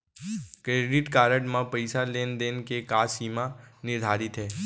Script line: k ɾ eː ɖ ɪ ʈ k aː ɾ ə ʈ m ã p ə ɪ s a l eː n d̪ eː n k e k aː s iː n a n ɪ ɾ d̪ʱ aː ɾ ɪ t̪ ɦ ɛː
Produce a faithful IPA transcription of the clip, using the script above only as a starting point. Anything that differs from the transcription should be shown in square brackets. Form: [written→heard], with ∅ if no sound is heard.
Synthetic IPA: k ɾ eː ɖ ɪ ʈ k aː ɾ ə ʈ m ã p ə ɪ s a l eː n d̪ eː n k e k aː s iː [n→m] a n ɪ ɾ d̪ʱ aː ɾ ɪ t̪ ɦ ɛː